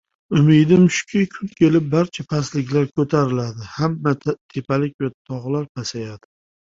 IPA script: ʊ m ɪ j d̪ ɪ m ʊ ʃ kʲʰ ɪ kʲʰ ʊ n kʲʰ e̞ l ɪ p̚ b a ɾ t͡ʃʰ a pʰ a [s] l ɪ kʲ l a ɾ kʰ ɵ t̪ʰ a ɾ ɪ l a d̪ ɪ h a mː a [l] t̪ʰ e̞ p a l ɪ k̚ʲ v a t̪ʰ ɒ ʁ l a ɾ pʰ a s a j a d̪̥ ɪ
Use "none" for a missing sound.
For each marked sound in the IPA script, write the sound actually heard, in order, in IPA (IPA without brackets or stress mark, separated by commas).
s, none